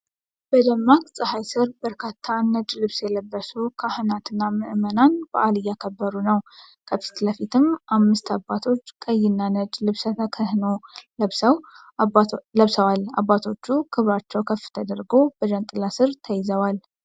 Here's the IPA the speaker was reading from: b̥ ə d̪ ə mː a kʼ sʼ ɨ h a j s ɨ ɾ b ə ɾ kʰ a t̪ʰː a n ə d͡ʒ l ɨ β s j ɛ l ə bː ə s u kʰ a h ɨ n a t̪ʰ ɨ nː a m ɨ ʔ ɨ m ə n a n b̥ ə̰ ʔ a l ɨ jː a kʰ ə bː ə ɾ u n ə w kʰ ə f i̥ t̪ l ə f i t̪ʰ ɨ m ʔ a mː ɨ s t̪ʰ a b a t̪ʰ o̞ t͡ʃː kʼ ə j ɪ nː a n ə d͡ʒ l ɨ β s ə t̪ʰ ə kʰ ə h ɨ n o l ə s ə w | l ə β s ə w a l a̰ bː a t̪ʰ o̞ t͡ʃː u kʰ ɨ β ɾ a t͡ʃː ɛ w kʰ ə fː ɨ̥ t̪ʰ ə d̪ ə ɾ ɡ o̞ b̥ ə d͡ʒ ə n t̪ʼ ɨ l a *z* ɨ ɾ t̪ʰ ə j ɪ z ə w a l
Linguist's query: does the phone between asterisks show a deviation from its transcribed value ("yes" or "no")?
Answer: yes